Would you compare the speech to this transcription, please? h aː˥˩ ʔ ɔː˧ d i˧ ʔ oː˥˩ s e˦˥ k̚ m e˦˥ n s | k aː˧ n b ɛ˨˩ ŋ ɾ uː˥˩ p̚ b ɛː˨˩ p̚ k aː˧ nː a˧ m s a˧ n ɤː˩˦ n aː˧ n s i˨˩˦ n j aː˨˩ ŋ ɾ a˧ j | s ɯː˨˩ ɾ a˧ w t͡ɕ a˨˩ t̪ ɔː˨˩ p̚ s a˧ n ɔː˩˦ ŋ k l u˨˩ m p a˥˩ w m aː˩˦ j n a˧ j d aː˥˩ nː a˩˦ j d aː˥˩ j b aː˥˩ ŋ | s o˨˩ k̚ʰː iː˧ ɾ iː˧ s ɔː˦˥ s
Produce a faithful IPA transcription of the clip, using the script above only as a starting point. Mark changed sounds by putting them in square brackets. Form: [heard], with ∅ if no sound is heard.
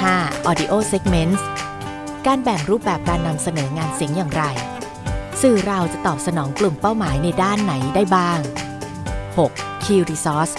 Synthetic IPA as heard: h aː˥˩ ʔ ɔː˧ d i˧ ʔ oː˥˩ s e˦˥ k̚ m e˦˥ n s | k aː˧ n b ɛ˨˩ ŋ ɾ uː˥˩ p̚ b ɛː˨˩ p̚ k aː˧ nː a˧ m s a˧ n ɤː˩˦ [ŋ] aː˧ n s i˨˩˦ [ŋ] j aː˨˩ ŋ ɾ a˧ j | s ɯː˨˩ ɾ a˧ w t͡ɕ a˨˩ t̪ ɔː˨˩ p̚ s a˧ n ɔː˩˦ ŋ k l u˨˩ m p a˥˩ w m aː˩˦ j n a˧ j d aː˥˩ nː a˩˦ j d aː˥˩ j b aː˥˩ ŋ | [h] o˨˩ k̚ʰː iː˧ ɾ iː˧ s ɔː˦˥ s